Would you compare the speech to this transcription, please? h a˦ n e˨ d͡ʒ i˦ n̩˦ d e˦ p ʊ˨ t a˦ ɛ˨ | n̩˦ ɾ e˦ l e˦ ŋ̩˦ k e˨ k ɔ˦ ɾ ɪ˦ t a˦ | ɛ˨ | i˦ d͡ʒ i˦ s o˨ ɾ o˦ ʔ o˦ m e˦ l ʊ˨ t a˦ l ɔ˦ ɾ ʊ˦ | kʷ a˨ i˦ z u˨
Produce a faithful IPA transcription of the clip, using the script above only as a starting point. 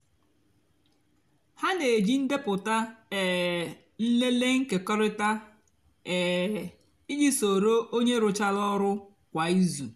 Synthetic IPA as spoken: h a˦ n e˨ d͡ʒ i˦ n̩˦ d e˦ p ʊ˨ t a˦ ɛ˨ | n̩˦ l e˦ l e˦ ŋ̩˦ k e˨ k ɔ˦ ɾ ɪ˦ t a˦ | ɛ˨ | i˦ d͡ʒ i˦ s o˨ ɾ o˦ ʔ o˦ ɲ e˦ ɾ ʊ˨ t͡ʃ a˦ l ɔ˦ ɾ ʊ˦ | kʷ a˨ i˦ z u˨